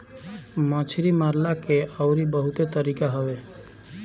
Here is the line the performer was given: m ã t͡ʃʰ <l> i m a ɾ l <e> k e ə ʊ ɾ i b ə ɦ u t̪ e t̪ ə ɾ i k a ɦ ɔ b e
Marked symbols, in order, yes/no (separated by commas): no, no